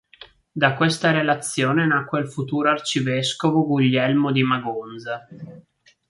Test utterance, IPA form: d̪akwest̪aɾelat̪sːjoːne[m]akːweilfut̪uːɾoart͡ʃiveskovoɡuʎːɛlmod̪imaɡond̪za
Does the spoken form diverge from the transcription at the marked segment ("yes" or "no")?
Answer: yes